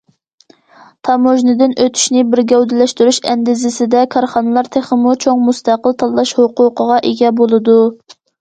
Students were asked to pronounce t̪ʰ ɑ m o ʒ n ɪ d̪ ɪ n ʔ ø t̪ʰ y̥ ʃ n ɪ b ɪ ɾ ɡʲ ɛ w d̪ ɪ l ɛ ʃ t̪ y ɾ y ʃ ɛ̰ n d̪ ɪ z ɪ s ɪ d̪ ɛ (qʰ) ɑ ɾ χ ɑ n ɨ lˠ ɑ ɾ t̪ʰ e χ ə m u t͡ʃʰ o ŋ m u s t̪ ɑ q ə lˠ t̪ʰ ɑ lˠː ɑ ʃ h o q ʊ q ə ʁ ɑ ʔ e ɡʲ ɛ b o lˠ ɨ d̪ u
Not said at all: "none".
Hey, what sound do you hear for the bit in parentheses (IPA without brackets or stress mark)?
kʰ